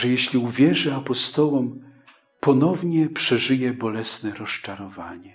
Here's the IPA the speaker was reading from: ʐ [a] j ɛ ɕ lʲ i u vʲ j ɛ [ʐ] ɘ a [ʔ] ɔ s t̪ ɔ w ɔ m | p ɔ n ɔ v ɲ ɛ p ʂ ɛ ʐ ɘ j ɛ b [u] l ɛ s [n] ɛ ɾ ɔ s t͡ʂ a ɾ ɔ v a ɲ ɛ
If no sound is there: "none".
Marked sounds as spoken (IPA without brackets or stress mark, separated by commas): ɛ, ʐ, p, ɔ, n